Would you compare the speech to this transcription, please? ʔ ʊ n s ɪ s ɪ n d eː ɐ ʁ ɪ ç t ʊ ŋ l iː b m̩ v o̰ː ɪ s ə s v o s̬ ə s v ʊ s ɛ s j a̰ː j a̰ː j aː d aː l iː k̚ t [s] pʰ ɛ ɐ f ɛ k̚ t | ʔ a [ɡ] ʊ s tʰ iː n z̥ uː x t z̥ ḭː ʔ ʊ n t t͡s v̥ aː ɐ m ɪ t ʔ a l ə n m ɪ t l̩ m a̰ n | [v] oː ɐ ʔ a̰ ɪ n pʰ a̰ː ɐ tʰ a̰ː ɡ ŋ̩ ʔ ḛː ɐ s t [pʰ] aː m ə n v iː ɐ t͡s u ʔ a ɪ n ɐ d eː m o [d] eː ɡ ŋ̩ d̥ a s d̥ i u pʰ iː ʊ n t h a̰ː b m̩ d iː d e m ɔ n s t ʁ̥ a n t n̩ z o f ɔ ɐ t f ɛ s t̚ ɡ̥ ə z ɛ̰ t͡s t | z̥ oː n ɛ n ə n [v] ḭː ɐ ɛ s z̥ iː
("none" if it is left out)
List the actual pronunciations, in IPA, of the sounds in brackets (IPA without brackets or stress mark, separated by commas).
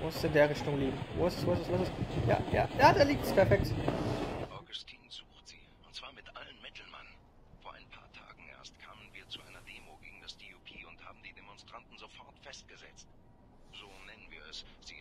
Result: s, ɡ, f, kʰ, ɡ, v